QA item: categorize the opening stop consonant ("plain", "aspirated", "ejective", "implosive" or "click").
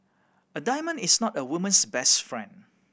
plain